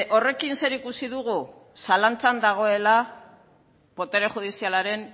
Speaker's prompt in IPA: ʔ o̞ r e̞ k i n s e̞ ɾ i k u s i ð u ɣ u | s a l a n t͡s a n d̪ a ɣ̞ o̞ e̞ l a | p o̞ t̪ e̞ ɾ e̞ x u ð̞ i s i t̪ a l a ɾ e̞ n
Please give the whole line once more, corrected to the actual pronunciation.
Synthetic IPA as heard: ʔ o̞ r e̞ k i n s e̞ ɾ i k u s i ð u ɣ u | s a l a n t͡s a n d̪ a ɣ̞ o̞ e̞ l a | p o̞ t̪ e̞ ɾ e̞ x u ð̞ i s i a l a ɾ e̞ n